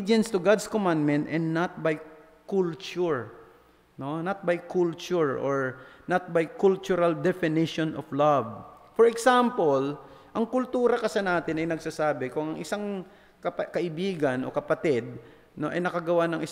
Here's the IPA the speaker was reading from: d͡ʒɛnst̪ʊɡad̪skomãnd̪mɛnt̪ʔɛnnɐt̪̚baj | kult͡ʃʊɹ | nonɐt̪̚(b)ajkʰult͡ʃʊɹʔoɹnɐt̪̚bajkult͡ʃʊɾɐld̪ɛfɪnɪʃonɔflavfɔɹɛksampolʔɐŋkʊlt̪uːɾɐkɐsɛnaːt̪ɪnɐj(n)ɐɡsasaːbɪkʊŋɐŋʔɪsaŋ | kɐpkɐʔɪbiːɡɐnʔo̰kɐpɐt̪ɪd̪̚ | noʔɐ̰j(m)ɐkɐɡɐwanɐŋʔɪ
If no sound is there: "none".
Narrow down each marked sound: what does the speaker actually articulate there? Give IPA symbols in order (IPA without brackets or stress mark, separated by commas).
b, n, n